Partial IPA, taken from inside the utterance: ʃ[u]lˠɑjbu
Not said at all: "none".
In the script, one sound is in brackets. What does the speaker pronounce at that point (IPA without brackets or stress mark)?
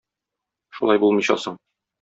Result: u